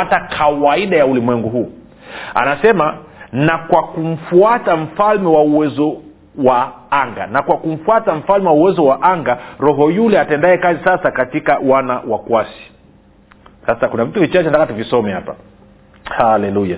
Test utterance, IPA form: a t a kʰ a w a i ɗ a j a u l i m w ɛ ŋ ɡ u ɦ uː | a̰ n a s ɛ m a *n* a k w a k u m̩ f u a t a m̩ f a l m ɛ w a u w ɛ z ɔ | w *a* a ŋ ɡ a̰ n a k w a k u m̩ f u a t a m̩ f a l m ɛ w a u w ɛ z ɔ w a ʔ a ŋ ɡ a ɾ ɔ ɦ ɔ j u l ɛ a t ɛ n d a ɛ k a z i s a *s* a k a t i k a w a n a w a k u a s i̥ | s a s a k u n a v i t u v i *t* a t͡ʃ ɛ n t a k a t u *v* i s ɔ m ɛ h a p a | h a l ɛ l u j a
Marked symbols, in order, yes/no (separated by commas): yes, yes, yes, no, yes